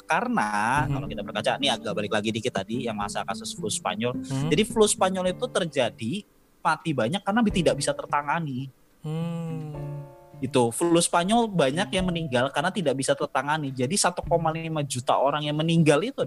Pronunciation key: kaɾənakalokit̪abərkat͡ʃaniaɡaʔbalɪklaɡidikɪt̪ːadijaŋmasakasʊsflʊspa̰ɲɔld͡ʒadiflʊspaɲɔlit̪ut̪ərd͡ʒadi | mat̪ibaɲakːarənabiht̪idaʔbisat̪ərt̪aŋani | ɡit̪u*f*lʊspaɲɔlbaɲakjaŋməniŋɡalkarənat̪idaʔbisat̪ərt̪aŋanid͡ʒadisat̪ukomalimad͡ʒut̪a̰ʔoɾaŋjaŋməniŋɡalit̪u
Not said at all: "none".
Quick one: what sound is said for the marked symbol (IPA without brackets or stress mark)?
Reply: f